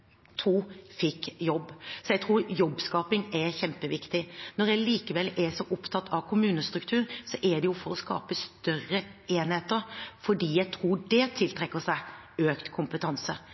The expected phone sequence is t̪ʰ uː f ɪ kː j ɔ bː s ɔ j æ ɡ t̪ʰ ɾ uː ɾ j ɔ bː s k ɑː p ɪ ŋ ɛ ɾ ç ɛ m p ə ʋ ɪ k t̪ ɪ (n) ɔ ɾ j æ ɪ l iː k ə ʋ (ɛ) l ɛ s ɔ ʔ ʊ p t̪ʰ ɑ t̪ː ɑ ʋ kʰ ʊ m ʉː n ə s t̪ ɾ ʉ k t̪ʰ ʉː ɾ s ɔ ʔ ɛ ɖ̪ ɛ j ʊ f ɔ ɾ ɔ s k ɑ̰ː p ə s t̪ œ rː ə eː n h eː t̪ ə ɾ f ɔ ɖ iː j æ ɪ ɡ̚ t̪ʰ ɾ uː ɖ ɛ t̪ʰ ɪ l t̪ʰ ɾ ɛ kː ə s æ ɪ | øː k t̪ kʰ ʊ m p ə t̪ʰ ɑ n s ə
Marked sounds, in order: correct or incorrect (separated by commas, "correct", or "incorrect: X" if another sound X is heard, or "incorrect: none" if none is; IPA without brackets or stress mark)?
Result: correct, correct